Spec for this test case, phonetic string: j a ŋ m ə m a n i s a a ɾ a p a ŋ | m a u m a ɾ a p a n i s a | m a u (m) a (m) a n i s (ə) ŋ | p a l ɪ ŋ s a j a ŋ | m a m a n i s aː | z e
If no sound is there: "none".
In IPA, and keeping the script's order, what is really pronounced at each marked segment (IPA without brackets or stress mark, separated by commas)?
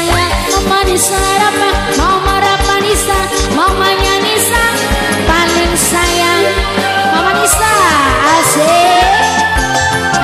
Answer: m, ɲ, a